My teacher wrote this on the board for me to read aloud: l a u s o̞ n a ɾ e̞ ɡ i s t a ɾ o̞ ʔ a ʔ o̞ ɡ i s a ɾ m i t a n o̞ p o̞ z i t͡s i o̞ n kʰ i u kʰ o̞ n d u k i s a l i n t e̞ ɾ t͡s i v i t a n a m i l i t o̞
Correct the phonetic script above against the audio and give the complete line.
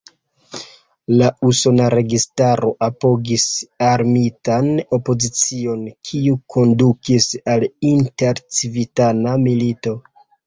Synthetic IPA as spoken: l a u s o̞ n a ɾ e̞ ɡ i s t a ɾ o̞ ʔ a p o̞ ɡ i s a ɾ m i t a n o̞ p o̞ z i t͡s i o̞ n kʰ i u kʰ o̞ n d u k i s a l i n t e̞ ɾ t͡s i v i t a n a m i l i t o̞